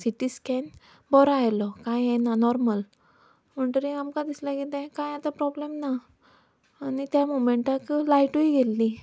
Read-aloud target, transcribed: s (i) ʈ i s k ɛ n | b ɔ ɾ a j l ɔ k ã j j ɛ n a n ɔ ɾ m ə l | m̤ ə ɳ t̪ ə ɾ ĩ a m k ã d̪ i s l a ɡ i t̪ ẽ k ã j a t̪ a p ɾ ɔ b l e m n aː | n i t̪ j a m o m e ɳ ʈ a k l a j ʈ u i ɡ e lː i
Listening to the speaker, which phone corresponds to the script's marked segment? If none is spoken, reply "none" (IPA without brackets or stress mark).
i